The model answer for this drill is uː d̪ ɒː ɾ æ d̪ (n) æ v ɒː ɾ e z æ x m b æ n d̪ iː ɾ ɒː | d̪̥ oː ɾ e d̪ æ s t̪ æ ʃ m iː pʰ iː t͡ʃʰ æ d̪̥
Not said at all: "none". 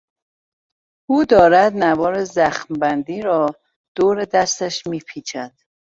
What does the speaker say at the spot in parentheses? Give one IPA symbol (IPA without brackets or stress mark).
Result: n